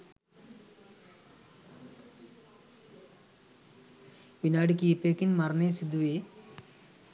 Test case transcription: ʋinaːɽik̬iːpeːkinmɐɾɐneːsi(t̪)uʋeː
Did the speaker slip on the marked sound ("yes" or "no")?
yes